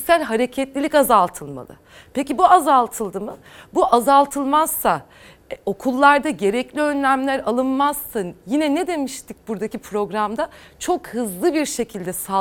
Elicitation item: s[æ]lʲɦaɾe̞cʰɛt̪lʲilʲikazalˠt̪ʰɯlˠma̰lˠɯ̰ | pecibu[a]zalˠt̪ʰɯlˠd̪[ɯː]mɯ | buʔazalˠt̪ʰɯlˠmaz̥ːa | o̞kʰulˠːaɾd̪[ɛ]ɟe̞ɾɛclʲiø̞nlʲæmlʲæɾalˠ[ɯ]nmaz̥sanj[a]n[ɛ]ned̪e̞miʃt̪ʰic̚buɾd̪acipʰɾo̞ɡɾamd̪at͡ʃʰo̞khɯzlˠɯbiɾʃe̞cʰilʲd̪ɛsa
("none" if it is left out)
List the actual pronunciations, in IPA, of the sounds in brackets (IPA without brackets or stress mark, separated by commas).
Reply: æ, a, ɯ, a, ɯ, i, ɛ